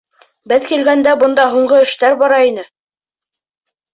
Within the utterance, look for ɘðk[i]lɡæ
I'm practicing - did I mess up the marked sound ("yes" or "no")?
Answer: no